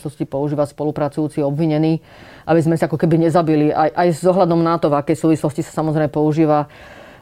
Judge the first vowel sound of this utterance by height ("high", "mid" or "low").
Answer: mid